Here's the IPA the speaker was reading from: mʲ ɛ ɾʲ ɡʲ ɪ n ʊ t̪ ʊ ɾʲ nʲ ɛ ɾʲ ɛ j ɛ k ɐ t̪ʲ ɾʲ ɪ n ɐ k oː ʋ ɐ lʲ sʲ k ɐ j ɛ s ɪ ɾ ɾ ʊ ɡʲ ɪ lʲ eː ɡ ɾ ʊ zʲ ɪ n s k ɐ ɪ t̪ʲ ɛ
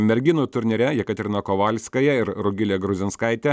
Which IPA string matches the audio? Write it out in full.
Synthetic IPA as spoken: mʲ ɛ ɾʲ ɡʲ ɪ n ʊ t̪ ʊ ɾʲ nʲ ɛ ɾʲ ɛ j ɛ k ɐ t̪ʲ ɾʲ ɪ n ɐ k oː ʋ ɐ lʲ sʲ k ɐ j ɛ ɪ ɾ ɾ ʊ ɡʲ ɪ lʲ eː ɡ ɾ ʊ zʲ ɪ n s k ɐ ɪ t̪ʲ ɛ